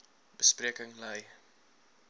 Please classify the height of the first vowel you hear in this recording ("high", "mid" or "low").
mid